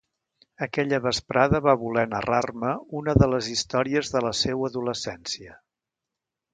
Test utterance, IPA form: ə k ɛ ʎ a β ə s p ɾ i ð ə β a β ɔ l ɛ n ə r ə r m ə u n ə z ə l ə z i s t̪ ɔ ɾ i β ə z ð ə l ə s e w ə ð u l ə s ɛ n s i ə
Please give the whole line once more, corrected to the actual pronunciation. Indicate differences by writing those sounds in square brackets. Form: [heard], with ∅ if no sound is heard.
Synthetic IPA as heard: ə k ɛ ʎ [ə] β ə s p ɾ [a] ð ə β a β [u] l ɛ n ə r [a] r m ə u n ə [ð] ə l ə z i s t̪ ɔ ɾ i [∅] ə z ð ə l ə s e w ə ð u l ə s ɛ n s i ə